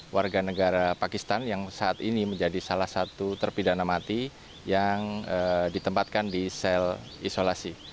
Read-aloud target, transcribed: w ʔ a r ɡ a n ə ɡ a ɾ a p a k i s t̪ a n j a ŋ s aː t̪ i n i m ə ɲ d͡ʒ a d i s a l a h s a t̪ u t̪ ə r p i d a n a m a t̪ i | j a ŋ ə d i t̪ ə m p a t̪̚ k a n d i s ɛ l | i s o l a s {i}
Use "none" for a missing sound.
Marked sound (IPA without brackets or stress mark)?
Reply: i